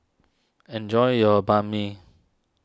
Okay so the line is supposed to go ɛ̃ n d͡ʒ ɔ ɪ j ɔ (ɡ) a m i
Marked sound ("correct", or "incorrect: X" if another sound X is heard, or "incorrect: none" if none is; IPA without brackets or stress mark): incorrect: b